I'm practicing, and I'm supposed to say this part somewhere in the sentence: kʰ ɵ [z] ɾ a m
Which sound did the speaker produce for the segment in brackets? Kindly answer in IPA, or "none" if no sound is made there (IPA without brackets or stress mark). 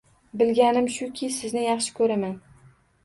none